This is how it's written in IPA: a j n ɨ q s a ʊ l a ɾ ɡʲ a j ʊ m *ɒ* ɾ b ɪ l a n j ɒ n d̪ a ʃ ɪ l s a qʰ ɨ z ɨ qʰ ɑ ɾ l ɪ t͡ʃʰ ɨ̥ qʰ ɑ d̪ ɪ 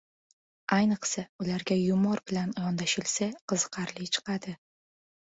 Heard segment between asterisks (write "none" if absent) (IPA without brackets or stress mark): ɒ